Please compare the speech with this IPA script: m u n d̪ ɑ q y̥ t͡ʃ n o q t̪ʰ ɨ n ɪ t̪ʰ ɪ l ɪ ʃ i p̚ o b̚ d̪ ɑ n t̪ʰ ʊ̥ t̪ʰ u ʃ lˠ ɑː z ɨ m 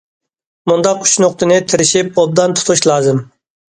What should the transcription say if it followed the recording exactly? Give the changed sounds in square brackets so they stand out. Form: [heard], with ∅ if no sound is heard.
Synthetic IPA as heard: m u n d̪ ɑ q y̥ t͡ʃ n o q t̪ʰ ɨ n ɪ t̪ʰ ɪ [ɾ] ɪ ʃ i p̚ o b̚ d̪ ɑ n t̪ʰ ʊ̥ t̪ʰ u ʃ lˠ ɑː z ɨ m